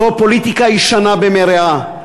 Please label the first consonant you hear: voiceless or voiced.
voiceless